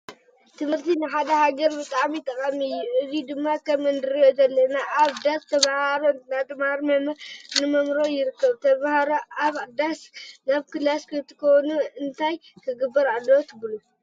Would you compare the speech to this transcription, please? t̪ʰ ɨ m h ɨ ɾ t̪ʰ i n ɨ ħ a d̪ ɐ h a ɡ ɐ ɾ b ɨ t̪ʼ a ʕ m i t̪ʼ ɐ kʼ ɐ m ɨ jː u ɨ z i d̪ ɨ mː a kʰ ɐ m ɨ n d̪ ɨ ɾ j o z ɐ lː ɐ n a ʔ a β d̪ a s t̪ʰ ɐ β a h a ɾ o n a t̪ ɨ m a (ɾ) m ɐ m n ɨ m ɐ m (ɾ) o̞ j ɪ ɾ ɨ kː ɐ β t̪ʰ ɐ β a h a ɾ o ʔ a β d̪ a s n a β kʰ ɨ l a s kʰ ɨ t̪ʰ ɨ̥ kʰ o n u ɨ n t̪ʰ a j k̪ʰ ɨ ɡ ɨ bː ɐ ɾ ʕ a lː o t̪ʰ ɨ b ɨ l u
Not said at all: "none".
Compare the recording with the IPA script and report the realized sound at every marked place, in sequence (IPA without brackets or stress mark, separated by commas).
ɾ, ɾ